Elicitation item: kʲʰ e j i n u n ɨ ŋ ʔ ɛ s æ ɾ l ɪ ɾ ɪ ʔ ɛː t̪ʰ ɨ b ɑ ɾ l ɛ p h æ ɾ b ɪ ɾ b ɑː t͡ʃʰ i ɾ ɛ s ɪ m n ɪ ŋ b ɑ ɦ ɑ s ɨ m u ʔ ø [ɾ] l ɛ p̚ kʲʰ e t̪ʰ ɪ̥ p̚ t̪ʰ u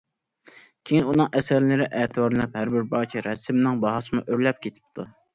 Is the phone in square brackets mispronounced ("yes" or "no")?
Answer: no